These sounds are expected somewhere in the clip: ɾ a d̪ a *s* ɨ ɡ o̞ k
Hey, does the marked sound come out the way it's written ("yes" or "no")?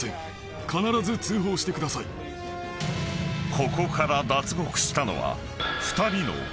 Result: no